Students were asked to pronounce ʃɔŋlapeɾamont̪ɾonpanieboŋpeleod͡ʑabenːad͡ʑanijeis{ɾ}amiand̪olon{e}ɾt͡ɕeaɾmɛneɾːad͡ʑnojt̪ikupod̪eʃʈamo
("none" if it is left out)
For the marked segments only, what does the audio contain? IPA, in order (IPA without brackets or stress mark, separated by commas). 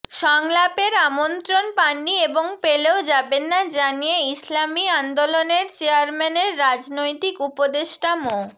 l, e